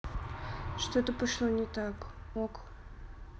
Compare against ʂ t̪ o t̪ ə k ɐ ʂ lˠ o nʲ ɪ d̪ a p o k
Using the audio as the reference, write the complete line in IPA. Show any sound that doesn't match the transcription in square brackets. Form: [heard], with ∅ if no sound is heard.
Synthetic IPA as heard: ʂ t̪ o t̪ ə [p] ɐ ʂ lˠ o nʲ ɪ [t̪] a [k] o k